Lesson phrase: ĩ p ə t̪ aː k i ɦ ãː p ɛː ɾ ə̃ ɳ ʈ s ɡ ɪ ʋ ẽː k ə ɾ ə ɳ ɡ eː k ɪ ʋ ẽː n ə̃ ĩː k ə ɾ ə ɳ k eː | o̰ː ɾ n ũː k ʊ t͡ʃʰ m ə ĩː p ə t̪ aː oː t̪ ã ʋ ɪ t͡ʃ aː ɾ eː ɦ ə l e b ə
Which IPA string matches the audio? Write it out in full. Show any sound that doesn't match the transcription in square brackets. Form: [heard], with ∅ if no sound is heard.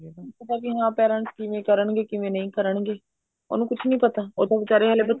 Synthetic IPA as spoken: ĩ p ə t̪ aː k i ɦ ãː p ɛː ɾ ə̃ ɳ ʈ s [k] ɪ ʋ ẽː k ə ɾ ə ɳ ɡ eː k ɪ ʋ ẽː n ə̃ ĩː k ə ɾ ə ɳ [ɡ] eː | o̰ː [∅] n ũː k ʊ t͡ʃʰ [n] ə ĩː p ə t̪ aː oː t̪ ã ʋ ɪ t͡ʃ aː ɾ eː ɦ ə l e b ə